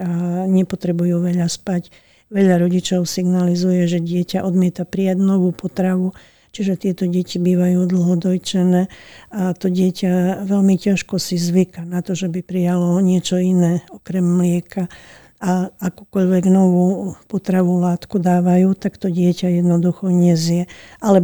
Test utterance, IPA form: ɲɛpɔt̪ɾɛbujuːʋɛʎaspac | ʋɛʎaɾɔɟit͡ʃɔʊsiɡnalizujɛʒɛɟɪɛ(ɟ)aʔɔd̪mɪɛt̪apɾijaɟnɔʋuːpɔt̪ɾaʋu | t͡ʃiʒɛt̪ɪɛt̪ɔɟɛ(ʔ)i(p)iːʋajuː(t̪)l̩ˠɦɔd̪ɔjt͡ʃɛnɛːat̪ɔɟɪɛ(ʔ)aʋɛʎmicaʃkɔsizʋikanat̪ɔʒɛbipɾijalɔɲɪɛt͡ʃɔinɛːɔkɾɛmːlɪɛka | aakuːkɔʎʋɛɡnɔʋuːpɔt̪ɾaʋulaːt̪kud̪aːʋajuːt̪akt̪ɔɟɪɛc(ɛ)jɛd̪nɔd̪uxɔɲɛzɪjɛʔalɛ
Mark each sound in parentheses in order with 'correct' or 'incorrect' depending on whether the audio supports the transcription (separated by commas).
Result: incorrect, incorrect, incorrect, incorrect, incorrect, incorrect